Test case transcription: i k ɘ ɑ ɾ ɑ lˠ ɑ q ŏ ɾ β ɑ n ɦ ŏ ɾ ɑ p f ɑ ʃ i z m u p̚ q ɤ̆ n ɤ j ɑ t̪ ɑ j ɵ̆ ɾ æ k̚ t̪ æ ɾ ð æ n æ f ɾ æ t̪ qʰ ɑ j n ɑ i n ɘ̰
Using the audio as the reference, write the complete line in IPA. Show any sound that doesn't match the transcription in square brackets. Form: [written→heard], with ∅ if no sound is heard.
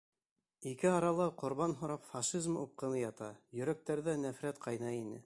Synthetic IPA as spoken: i k ɘ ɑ ɾ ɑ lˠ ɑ q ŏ ɾ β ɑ n ɦ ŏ ɾ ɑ p f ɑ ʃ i z m u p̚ q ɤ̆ n ɤ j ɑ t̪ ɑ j ɵ̆ ɾ æ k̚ t̪ æ ɾ ð æ n æ f ɾ æ t̪ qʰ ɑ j n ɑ i n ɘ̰